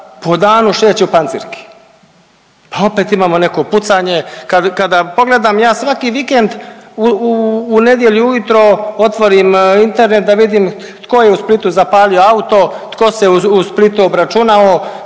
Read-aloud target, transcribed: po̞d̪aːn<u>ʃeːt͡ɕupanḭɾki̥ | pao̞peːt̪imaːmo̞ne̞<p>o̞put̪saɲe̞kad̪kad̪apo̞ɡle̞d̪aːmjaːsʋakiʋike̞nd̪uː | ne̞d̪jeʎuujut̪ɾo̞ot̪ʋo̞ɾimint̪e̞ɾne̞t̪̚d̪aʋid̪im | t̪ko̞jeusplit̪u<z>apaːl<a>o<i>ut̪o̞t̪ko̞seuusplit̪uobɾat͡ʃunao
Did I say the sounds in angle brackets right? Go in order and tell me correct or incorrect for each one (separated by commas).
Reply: correct, incorrect, correct, incorrect, incorrect